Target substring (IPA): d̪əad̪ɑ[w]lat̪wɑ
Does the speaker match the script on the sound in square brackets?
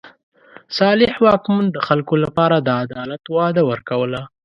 no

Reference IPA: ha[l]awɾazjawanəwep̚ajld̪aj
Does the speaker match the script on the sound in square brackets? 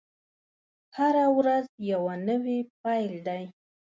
no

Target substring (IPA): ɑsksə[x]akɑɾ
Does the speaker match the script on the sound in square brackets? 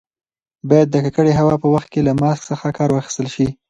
yes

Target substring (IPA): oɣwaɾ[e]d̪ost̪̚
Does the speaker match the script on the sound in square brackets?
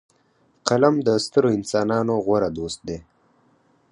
no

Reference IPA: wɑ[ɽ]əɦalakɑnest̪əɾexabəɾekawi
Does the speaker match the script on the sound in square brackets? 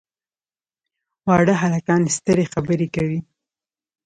yes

